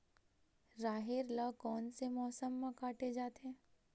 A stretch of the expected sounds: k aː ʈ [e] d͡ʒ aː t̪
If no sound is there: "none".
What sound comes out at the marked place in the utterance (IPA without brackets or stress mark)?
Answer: e